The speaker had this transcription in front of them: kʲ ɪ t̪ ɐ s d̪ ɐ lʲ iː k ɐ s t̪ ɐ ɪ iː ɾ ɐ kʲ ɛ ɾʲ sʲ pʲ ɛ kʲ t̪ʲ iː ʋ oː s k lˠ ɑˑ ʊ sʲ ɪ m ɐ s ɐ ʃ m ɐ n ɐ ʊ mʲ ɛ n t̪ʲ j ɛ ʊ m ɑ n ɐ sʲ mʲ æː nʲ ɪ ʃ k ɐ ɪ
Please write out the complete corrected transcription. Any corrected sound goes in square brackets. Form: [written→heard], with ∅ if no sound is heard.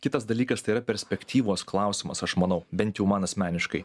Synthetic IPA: kʲ ɪ t̪ ɐ s d̪ ɐ lʲ iː k ɐ s t̪ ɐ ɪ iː ɾ ɐ [kʲ→pʲ] ɛ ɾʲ sʲ pʲ ɛ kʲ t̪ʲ iː ʋ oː s k lˠ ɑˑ ʊ sʲ ɪ m ɐ s ɐ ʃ m ɐ n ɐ ʊ [mʲ→bʲ] ɛ n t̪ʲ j ɛ ʊ m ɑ n ɐ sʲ mʲ æː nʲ ɪ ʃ k ɐ ɪ